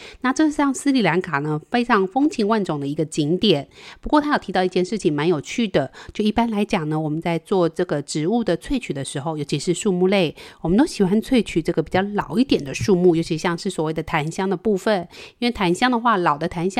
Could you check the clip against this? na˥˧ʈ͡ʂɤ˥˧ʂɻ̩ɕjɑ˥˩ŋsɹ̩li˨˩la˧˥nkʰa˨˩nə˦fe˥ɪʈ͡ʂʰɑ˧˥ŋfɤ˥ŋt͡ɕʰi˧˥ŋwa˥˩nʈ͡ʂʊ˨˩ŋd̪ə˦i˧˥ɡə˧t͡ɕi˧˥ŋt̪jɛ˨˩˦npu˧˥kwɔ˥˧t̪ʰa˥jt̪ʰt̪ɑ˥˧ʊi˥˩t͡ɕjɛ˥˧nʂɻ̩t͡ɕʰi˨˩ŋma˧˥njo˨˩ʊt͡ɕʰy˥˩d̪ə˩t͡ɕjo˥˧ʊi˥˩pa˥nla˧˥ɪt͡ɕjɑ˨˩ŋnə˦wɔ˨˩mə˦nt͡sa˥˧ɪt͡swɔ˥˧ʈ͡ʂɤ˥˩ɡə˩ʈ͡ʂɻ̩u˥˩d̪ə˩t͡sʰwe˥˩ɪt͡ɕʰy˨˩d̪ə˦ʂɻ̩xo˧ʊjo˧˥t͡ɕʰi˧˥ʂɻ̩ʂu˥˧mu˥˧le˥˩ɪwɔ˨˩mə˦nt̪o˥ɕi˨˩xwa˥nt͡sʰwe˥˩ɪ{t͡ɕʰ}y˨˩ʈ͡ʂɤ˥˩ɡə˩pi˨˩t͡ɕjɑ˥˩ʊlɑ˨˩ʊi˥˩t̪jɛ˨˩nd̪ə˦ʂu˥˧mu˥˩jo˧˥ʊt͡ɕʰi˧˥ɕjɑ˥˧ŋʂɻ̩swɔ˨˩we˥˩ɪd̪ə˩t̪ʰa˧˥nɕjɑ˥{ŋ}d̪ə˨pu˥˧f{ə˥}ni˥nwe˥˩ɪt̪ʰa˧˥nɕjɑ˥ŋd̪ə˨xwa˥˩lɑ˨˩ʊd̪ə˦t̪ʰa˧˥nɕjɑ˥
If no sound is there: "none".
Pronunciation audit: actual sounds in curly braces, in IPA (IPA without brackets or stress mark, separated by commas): t͡ɕʰ, ŋ, ə˨˩